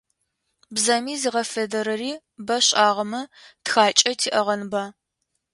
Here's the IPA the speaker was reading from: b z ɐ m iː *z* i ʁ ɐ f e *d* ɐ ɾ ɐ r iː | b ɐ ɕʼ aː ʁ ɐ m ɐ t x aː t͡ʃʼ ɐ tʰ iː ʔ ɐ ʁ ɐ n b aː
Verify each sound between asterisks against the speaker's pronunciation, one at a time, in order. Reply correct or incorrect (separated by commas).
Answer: correct, correct